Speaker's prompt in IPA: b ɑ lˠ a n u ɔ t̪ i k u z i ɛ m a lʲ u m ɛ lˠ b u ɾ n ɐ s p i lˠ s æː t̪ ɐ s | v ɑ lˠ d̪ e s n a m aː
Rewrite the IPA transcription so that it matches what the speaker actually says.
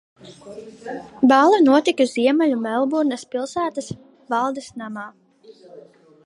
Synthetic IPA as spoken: b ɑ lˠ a n u ɔ t̪ i k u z i ɛ m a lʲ u m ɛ lˠ b u ɾ n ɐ s p i lˠ s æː t̪ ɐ s | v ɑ lˠ d̪ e s n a m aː